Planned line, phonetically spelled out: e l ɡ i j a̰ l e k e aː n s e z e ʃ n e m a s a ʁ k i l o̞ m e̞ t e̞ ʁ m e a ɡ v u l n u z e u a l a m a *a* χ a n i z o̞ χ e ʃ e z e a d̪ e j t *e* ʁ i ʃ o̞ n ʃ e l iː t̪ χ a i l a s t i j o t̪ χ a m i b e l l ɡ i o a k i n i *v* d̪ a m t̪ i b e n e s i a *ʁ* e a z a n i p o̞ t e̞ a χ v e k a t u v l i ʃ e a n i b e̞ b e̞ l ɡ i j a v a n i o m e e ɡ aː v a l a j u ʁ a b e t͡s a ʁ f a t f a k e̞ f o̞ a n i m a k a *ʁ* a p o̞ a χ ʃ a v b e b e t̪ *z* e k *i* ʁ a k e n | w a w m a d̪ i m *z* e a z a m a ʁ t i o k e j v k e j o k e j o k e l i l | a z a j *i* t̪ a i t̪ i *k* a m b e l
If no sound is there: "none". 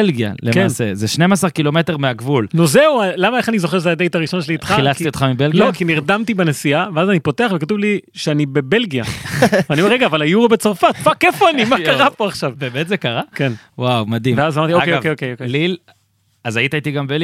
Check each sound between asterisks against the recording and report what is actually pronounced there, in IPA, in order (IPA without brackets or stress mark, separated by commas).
e, a, ʁ, v, ʁ, z, a, v, i, ɡ